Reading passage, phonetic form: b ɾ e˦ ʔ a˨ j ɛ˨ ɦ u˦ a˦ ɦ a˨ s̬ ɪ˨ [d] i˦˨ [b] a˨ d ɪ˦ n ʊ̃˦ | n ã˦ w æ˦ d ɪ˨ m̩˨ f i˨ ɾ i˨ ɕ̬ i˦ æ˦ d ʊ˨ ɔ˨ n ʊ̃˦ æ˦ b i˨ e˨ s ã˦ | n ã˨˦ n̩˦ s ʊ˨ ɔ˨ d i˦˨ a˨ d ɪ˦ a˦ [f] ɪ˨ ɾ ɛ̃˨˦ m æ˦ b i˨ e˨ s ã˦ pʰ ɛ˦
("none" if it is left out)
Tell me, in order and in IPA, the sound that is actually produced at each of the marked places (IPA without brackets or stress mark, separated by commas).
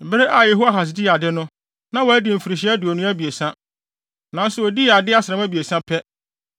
d, none, s